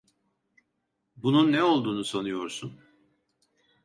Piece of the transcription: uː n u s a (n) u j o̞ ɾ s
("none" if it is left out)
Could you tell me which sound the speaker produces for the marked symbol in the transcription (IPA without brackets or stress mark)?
n